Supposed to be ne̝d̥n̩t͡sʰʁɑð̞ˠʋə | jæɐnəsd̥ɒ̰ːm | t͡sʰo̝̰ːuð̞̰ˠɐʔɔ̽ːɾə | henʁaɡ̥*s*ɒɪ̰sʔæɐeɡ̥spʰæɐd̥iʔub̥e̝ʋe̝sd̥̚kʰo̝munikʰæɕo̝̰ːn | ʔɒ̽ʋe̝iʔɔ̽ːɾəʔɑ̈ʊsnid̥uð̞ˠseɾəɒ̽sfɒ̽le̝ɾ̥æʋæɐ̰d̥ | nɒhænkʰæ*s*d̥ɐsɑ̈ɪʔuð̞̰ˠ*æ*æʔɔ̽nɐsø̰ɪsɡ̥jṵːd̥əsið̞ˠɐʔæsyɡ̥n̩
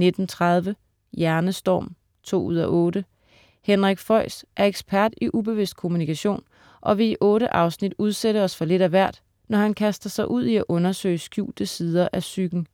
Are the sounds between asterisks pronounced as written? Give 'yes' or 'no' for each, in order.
no, yes, no

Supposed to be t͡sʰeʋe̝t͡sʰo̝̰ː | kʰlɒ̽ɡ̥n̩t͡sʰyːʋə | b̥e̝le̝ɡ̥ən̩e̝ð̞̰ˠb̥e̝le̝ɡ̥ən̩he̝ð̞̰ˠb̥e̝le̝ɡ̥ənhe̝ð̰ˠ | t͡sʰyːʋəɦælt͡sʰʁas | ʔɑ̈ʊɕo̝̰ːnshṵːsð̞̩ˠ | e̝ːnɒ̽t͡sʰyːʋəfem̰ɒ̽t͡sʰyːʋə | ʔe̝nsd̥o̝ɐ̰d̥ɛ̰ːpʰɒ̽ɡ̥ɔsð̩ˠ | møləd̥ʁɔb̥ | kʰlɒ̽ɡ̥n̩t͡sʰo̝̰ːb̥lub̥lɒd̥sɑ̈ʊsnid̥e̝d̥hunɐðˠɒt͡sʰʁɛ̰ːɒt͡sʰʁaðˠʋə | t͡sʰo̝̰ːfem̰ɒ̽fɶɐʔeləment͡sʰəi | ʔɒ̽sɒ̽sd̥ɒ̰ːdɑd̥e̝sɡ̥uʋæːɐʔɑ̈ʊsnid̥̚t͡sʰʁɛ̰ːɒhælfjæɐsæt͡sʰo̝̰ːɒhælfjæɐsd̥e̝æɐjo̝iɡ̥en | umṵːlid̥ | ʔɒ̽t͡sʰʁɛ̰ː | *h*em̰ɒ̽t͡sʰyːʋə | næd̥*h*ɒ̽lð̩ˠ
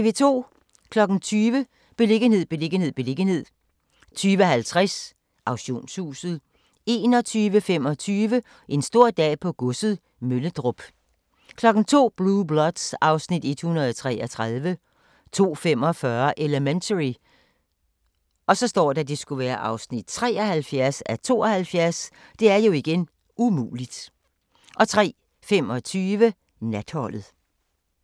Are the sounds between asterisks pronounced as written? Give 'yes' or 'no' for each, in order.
no, yes

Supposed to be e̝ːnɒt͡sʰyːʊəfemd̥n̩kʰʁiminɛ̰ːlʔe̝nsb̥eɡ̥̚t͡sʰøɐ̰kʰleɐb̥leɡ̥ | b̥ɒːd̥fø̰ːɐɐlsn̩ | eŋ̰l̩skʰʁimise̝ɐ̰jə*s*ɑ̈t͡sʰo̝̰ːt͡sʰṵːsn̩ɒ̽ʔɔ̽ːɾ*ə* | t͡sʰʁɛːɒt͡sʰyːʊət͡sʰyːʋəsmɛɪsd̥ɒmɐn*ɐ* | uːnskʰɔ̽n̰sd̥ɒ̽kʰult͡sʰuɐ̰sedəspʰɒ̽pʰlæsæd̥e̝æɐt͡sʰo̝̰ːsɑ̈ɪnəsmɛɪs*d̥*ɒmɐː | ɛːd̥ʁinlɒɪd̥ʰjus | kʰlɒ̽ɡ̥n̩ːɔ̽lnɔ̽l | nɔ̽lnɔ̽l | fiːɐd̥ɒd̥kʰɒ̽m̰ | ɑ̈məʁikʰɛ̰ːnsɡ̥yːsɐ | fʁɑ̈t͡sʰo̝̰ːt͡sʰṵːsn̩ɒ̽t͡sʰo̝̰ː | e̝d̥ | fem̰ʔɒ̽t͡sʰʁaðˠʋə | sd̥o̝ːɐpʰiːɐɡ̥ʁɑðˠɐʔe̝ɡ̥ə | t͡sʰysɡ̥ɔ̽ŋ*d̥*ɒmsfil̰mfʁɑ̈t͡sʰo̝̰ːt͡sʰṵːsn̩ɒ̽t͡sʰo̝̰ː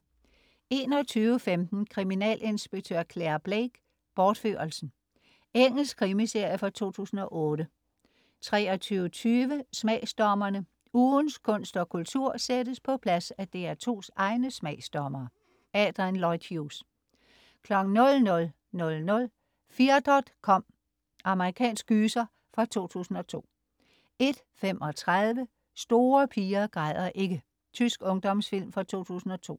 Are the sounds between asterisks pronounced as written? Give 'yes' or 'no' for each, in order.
no, yes, no, yes, yes

